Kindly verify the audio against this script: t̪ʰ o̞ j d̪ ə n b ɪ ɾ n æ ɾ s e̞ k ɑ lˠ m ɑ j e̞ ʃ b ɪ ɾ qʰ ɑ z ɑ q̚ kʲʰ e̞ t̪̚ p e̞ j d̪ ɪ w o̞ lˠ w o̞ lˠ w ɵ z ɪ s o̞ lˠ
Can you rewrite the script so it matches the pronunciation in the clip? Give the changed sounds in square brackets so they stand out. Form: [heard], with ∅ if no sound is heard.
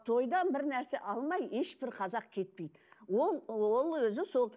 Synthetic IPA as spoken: t̪ʰ o̞ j d̪ [ɑ] n b ɪ ɾ n æ ɾ s e̞ [ʔ] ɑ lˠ m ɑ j e̞ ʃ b ɪ ɾ qʰ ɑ z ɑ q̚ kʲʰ e̞ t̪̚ p e̞ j d̪ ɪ w o̞ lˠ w o̞ lˠ w ɵ z ɪ s o̞ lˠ